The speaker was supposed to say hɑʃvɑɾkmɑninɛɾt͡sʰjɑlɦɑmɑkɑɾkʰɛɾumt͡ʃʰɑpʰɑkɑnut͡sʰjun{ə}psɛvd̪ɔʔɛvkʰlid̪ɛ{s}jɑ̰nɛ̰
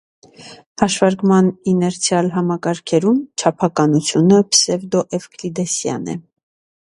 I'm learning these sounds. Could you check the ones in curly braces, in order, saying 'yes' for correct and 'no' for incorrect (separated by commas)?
yes, yes